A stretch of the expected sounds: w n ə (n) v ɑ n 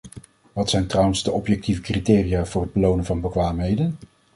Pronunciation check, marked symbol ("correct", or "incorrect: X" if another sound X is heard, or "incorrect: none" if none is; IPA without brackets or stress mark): correct